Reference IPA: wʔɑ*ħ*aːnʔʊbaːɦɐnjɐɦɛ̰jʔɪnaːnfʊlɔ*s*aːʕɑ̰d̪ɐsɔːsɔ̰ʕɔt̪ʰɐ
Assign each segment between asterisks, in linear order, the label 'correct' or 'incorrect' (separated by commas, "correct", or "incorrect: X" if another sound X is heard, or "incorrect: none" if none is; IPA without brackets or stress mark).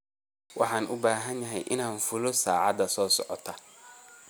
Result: correct, correct